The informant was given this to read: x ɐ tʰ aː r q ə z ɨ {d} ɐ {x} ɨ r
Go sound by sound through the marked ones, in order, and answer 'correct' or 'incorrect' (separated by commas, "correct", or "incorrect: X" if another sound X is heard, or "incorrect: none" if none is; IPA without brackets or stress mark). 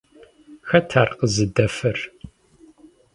correct, incorrect: f